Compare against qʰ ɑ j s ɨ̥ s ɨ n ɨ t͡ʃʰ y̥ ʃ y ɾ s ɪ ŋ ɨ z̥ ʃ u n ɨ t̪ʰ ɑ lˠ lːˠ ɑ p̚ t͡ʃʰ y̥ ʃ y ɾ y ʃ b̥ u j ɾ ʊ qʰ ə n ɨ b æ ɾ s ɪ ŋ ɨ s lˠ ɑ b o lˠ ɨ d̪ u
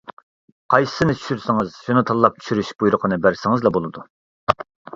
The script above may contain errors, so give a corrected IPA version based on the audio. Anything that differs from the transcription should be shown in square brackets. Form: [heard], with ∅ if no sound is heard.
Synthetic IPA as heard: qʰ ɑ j s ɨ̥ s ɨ n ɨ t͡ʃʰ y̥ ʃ y ɾ s ɪ ŋ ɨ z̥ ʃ u n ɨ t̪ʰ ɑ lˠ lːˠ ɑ p̚ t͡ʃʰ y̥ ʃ y ɾ y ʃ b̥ u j ɾ ʊ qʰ ə n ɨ b æ ɾ s ɪ ŋ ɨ [z] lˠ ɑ b o lˠ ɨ d̪ u